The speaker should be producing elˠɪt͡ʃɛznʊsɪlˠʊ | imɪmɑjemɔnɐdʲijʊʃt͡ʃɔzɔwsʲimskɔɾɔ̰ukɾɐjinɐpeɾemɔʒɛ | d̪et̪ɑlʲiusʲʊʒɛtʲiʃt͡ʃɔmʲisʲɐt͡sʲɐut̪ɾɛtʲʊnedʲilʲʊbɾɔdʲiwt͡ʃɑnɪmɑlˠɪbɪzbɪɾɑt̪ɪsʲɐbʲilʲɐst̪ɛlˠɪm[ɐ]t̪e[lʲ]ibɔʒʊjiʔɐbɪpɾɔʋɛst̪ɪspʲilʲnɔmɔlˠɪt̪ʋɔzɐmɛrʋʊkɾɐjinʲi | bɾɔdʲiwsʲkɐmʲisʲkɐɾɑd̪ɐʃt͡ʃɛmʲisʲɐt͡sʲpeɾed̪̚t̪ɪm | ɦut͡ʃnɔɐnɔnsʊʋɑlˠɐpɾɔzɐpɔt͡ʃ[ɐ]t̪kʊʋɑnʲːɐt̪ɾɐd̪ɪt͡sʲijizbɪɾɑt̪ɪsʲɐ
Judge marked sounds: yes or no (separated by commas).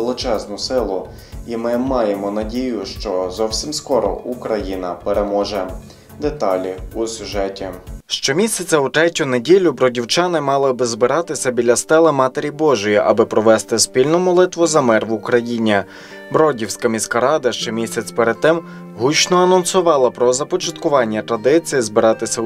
no, no, yes